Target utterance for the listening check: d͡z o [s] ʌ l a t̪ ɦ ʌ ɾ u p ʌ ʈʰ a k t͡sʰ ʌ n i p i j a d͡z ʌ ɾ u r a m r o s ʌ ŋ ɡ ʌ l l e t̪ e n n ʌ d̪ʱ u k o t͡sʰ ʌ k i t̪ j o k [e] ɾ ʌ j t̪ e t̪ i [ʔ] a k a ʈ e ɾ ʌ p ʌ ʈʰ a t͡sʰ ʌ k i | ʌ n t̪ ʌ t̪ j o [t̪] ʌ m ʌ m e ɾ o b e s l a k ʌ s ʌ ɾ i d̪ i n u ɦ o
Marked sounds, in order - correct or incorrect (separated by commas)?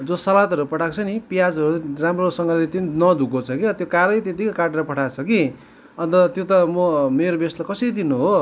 correct, incorrect, incorrect, correct